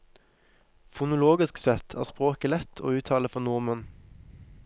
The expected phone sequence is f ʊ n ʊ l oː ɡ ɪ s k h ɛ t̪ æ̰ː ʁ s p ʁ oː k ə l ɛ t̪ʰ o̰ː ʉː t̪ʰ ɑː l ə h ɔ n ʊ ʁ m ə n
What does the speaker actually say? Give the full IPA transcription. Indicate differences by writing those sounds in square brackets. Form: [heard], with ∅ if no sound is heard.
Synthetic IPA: f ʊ n ʊ l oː ɡ ɪ s k [s] ɛ [t̪ʰ] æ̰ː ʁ s p ʁ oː k ə l ɛ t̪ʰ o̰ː ʉː t̪ʰ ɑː l ə [f] ɔ n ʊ ʁ m ə n